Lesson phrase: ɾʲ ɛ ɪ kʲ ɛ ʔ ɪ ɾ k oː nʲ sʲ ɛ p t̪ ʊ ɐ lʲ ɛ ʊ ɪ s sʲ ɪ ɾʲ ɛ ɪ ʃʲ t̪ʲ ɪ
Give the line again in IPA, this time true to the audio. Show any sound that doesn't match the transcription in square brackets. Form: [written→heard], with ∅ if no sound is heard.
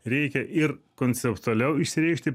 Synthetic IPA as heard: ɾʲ ɛ ɪ kʲ ɛ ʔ ɪ ɾ k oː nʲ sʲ ɛ p t̪ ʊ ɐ lʲ ɛ ʊ ɪ [s→ʃ] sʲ ɪ ɾʲ ɛ ɪ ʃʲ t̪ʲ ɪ